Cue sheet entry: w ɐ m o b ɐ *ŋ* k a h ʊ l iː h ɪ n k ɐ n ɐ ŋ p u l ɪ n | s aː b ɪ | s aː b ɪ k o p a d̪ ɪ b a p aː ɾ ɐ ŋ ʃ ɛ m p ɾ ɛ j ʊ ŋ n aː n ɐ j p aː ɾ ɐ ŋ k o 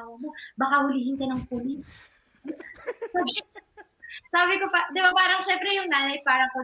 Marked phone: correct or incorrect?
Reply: incorrect